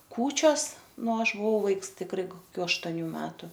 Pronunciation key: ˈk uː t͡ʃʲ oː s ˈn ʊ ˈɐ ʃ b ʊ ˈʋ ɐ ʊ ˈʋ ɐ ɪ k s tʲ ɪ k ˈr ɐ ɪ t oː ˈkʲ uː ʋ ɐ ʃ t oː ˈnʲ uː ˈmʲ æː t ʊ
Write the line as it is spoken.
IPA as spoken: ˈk uː t͡ʃʲ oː s ˈn ʊ ˈɐ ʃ b ʊ ˈʋ ɐ ʊ ˈʋ ɐ ɪ k s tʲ ɪ k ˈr ɐ ɪ k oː ˈkʲ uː ɐ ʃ t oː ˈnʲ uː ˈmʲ æː t ʊ